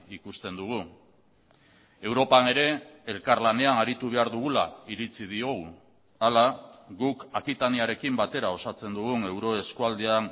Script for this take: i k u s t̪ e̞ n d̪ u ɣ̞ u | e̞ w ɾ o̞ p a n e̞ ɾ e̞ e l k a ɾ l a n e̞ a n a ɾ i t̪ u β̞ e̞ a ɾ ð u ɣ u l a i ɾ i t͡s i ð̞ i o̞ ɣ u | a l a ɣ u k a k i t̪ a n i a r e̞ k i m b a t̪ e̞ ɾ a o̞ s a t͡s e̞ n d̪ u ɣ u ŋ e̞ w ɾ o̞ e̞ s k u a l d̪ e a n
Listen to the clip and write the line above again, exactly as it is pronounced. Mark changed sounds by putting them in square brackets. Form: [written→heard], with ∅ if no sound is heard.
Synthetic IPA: i k u s t̪ e̞ n d̪ u ɣ̞ u | e̞ w ɾ o̞ p a n e̞ ɾ e̞ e l k a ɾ l a n e̞ a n a ɾ i t̪ u β̞ e̞ a ɾ ð u ɣ u l a i ɾ i t͡s i ð̞ i o̞ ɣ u | a l a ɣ u k a k i t̪ a n i a [r→ɾ] e̞ k i m b a t̪ e̞ ɾ a o̞ s a t͡s e̞ n d̪ u ɣ u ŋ e̞ w ɾ o̞ e̞ s k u a l d̪ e a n